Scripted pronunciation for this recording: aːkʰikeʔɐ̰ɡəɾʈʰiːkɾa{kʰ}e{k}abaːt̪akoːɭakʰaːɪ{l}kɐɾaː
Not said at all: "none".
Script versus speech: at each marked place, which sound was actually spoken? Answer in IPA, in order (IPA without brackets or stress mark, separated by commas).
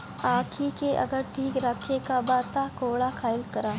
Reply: kʰ, k, l